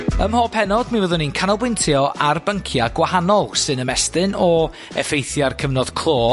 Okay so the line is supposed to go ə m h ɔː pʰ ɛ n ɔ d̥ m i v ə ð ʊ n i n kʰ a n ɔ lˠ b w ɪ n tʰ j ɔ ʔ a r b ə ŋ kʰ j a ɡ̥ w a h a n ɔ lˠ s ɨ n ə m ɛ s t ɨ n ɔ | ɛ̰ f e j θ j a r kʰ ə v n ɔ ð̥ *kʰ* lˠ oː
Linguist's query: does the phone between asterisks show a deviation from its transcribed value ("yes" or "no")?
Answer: no